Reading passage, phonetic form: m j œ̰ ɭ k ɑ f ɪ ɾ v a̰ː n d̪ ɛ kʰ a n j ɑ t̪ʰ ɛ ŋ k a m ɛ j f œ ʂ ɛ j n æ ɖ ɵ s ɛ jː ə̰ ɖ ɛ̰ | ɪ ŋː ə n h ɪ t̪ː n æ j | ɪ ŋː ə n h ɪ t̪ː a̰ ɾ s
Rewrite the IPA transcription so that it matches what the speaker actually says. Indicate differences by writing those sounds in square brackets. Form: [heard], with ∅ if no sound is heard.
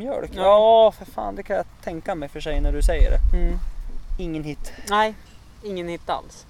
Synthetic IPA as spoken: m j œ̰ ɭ k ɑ f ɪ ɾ [f] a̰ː n d̪ ɛ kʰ a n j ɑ t̪ʰ ɛ ŋ k a m ɛ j f œ ʂ ɛ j n æ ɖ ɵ s ɛ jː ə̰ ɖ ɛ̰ | ɪ ŋː ə n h ɪ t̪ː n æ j | ɪ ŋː ə n h ɪ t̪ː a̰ [l] s